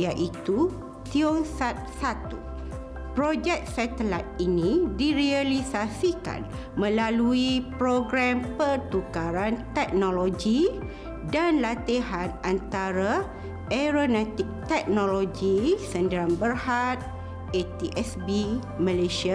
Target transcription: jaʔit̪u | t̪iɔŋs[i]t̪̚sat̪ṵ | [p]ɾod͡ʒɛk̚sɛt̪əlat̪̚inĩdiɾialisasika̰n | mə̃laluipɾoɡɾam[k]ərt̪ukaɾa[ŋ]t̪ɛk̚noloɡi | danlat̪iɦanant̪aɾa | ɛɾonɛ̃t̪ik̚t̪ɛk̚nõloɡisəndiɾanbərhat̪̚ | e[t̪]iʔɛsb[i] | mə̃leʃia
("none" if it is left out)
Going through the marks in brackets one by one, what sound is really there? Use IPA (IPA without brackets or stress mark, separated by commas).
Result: a, p, p, n, t̪, i